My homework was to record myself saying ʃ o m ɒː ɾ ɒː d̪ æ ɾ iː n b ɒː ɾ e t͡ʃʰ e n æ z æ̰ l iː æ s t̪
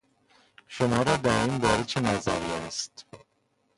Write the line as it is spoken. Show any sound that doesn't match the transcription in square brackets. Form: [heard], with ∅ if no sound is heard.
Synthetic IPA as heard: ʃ o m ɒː ɾ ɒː d̪ æ ɾ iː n b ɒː ɾ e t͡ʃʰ e n æ z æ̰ [ɾ] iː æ s t̪